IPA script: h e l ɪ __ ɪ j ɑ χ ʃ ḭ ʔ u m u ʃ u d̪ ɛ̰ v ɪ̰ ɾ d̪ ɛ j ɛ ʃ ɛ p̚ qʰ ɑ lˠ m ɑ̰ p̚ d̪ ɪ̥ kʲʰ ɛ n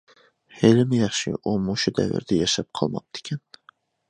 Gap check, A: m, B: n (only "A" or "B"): A